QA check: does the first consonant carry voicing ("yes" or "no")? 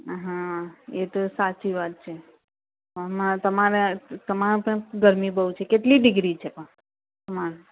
yes